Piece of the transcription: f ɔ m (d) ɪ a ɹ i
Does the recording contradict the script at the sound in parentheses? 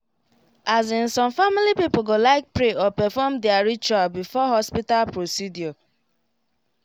no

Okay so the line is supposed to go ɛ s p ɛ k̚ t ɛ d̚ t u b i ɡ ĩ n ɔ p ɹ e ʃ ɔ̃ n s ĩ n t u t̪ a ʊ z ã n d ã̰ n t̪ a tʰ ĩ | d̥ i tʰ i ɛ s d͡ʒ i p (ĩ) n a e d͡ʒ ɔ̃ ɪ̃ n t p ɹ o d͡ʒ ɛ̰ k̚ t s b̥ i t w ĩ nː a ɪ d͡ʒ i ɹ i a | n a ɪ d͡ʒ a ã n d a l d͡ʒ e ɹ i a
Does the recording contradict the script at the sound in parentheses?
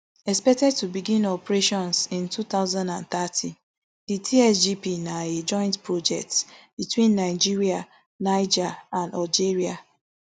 yes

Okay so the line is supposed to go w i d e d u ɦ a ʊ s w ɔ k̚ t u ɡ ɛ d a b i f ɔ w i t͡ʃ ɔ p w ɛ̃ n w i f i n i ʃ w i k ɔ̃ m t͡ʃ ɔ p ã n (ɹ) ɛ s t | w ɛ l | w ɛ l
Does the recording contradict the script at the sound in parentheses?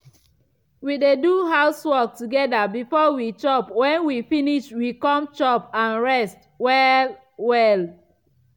no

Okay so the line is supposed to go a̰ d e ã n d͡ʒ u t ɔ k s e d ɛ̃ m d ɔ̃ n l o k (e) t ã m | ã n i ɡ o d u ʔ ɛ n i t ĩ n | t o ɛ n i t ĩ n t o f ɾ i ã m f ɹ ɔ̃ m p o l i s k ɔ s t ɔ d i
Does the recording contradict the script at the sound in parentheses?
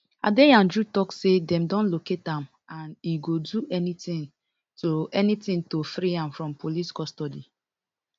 no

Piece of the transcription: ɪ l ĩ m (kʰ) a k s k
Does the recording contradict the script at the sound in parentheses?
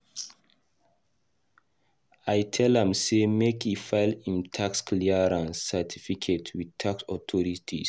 yes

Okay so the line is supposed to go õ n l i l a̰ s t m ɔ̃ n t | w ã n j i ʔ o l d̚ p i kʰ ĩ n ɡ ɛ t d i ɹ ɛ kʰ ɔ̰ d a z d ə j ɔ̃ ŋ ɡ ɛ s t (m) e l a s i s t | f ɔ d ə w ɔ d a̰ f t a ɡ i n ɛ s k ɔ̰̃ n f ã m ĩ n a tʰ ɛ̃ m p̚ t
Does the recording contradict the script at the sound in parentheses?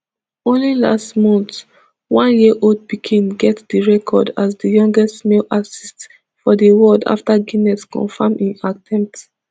no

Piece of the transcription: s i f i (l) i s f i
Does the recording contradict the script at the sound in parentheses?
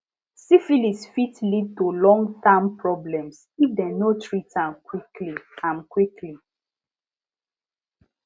no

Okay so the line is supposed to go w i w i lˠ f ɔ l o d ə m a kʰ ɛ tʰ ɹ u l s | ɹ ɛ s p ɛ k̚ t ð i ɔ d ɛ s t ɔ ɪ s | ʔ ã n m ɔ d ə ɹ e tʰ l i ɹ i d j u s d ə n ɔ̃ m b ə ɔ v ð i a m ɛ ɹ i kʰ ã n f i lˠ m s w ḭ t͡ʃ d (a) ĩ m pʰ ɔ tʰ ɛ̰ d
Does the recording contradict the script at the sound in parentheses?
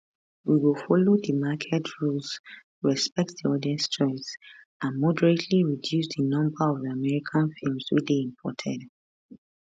yes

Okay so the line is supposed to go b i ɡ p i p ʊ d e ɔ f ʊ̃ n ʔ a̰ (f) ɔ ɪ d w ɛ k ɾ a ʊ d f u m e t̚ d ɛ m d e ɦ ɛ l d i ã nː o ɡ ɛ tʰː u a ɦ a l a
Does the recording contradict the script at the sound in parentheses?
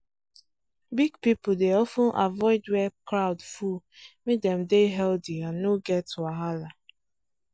yes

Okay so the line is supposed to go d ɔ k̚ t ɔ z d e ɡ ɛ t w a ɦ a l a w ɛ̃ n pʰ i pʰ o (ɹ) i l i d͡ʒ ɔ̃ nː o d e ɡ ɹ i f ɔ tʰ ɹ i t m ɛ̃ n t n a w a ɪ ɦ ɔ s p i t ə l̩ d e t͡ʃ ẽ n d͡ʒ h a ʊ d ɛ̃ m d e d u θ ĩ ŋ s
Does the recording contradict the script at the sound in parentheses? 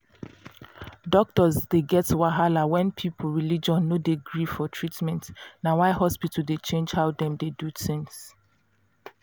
no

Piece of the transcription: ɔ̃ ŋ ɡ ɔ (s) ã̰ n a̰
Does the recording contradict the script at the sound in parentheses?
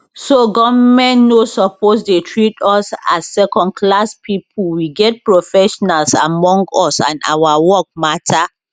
no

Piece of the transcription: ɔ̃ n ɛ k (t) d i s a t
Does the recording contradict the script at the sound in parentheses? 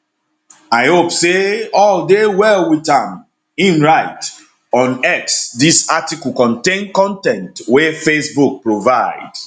yes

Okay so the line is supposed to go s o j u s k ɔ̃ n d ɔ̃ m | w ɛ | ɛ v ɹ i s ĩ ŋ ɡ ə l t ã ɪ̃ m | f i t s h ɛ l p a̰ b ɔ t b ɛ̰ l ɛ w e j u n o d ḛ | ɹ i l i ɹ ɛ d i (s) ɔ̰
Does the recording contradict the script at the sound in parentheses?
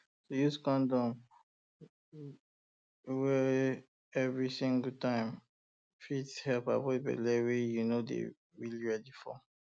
yes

